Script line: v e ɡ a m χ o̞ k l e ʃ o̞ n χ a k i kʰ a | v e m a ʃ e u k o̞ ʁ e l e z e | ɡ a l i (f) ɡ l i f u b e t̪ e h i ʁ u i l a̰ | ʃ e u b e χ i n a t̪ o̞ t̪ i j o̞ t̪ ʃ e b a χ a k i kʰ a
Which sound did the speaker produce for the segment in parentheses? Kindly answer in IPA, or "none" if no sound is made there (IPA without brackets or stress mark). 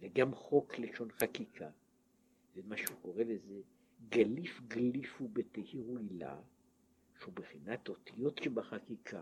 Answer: f